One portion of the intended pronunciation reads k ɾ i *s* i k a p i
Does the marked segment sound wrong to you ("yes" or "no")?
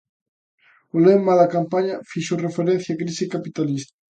no